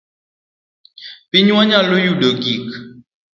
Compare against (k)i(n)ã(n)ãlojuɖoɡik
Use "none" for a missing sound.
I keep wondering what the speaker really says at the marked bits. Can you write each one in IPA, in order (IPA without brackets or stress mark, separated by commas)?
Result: p, ɲ, ɲ